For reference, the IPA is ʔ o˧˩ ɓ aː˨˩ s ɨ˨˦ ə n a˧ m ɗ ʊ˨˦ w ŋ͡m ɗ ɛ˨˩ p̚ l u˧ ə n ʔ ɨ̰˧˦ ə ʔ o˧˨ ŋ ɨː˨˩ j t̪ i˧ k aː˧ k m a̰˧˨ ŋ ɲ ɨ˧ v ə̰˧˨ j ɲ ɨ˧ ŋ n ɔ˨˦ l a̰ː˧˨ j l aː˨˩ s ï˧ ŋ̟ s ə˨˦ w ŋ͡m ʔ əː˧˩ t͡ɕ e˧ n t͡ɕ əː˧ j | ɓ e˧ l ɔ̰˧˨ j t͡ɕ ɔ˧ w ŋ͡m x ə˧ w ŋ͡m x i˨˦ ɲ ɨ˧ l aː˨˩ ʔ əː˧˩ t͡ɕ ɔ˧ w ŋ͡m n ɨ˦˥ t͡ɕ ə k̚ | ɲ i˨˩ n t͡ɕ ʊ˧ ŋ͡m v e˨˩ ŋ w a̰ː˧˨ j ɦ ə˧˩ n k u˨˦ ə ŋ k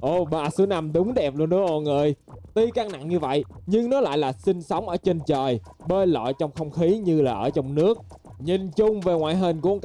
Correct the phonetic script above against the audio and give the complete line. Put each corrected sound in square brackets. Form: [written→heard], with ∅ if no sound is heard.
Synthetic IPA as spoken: ʔ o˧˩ ɓ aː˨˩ s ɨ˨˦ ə n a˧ m ɗ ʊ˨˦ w ŋ͡m ɗ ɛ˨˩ p̚ l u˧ ə n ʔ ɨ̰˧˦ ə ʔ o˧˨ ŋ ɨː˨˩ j t̪ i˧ k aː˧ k [m→n] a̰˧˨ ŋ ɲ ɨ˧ v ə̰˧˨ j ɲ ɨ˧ ŋ n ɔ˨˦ l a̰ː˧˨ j l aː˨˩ s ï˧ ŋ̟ s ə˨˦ w ŋ͡m ʔ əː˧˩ t͡ɕ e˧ n t͡ɕ [əː˧→əː˨˩] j | ɓ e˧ l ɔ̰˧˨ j t͡ɕ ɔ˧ w ŋ͡m x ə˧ w ŋ͡m x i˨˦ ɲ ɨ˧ l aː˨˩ ʔ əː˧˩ t͡ɕ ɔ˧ w ŋ͡m n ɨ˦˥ [t͡ɕ→∅] ə k̚ | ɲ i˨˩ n t͡ɕ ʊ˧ ŋ͡m v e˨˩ ŋ w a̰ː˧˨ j ɦ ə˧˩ n k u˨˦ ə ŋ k